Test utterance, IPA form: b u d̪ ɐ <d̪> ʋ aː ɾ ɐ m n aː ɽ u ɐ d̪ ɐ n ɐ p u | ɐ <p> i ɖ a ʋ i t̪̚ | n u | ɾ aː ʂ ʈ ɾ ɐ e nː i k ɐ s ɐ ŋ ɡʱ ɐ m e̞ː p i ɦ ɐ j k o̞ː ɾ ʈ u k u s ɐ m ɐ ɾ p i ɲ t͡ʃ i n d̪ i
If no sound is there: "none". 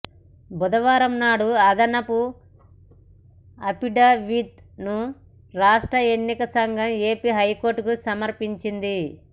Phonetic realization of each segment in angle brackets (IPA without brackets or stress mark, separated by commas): none, p